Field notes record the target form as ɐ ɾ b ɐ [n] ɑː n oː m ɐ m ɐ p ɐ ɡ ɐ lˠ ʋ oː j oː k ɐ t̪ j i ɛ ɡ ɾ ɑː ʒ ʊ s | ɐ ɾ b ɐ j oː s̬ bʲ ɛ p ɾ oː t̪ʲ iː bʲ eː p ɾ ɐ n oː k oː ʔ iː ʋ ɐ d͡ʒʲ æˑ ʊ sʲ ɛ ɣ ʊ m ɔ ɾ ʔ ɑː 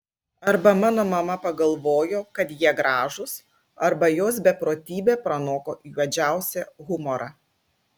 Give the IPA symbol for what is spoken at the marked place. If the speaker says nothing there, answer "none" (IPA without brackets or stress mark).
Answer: m